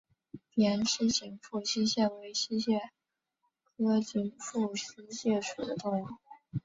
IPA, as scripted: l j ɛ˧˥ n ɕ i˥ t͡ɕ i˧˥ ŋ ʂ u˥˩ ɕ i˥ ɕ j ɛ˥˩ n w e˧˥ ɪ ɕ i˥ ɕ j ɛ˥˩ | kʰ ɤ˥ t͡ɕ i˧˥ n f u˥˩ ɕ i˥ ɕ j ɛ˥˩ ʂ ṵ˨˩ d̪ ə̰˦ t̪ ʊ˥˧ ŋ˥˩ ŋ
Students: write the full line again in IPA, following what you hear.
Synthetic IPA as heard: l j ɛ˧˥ n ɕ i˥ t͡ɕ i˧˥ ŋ f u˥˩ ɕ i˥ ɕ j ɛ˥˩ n w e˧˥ ɪ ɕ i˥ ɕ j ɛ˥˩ | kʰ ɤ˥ t͡ɕ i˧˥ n f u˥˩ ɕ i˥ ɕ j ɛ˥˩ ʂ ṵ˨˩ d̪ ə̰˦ t̪ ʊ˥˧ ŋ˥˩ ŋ